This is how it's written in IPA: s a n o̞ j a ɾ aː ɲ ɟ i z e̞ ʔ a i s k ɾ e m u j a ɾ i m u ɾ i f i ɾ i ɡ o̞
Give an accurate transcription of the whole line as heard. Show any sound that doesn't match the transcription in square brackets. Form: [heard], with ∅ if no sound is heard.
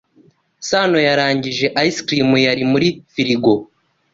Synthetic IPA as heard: s a n o̞ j a ɾ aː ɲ ɟ i [ʒ] e̞ ʔ a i s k ɾ [i] m u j a ɾ i m u ɾ i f i ɾ i ɡ o̞